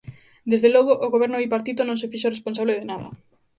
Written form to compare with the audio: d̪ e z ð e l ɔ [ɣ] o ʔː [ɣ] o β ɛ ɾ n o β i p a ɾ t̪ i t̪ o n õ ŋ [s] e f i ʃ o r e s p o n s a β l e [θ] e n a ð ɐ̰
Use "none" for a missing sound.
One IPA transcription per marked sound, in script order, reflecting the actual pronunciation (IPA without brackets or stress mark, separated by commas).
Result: ɣ, ɣ, s, ð